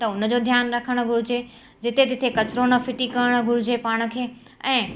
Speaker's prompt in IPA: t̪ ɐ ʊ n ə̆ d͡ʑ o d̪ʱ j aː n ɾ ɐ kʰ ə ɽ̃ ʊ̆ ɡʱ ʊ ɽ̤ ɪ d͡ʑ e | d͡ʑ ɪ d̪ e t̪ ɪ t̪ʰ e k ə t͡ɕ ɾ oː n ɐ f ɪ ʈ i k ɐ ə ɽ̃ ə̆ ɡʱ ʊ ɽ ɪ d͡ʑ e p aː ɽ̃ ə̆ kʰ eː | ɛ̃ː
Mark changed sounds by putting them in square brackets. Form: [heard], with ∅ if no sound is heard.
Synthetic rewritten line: t̪ ɐ ʊ n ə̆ d͡ʑ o d̪ʱ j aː n ɾ ɐ kʰ ə ɽ̃ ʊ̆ ɡʱ ʊ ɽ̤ ɪ d͡ʑ e | d͡ʑ ɪ [t̪] e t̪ ɪ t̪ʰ e k [ɐ] t͡ɕ ɾ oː n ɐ f ɪ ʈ i k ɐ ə ɽ̃ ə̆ ɡʱ ʊ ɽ ɪ d͡ʑ e p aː ɽ̃ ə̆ kʰ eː | ɛ̃ː